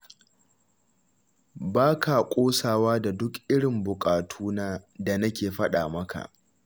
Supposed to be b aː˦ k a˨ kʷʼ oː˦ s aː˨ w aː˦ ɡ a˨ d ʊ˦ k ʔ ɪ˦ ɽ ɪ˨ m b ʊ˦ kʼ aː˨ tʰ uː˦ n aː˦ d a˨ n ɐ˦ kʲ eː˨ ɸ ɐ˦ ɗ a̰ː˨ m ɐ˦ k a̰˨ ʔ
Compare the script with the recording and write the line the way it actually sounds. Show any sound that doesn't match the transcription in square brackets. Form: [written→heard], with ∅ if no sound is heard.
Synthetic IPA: b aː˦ k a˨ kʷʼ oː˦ s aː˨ w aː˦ [ɡ→d] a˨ d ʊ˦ k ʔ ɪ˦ ɽ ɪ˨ m b [ʊ˦→ʊ˨] kʼ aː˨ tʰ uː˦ n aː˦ d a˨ n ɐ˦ kʲ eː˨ ɸ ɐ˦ ɗ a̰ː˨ m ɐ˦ k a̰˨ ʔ